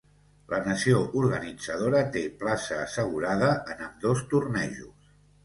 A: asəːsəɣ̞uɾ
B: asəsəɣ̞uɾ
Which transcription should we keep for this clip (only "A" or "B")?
A